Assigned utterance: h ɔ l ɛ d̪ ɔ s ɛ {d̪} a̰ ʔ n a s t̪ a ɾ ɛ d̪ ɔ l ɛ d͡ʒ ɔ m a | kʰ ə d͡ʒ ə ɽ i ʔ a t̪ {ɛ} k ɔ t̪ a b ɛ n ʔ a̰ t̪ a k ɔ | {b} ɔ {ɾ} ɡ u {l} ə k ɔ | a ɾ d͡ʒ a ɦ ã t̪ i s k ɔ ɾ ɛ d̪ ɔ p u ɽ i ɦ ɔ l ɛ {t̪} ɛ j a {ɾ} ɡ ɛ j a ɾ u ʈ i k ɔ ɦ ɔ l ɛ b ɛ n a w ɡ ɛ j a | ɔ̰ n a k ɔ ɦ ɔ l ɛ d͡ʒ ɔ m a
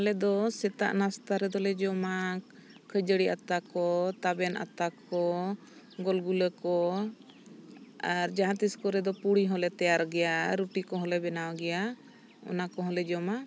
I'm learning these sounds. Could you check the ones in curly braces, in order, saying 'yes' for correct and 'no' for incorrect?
no, no, no, no, yes, yes, yes

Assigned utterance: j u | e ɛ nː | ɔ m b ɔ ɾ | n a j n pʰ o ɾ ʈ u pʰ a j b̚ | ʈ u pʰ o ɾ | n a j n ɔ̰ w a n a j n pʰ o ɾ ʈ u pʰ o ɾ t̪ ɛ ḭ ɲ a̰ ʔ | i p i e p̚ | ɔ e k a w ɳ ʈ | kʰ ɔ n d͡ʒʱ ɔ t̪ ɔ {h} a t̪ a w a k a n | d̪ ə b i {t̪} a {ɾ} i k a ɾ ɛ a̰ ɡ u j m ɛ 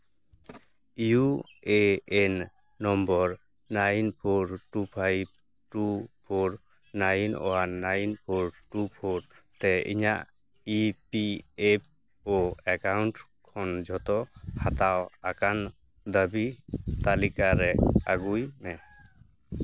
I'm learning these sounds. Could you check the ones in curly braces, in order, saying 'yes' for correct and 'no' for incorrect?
yes, yes, no

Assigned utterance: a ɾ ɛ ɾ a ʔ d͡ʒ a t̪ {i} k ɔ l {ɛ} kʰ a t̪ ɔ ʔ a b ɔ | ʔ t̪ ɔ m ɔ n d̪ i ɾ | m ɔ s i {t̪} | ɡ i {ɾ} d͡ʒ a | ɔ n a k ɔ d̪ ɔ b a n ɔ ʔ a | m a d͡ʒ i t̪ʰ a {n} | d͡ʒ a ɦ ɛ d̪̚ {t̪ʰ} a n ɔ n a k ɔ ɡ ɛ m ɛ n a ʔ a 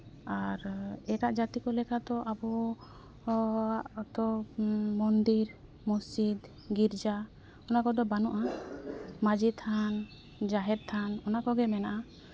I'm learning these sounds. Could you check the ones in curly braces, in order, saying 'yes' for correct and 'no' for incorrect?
yes, yes, no, yes, yes, yes

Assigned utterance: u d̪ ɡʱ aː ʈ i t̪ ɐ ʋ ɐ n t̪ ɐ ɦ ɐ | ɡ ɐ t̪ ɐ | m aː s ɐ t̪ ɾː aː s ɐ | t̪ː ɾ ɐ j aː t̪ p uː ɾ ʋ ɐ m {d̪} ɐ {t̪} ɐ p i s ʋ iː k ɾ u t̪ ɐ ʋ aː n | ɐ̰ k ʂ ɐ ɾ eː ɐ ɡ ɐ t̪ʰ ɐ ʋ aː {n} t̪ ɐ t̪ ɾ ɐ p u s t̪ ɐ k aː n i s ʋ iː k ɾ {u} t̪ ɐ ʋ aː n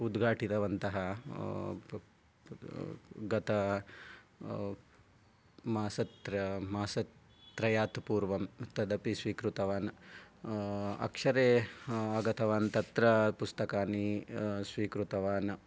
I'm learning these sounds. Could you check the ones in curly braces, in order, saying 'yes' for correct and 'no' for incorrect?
no, no, yes, yes

